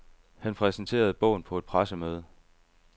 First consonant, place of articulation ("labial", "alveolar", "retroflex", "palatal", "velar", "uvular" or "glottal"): glottal